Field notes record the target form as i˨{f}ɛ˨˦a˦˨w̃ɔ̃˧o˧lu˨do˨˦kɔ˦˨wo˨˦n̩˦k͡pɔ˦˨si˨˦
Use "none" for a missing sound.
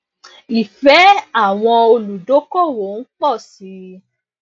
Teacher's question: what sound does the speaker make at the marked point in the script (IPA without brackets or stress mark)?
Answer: f